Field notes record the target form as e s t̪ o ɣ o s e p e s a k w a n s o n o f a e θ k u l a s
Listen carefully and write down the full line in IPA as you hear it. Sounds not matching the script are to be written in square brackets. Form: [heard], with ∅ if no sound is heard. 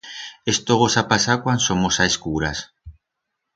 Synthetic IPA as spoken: e s t̪ o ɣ o s [a] p [a] s a k w a n s o [m] o [s] a e [s] k u [ɾ] a s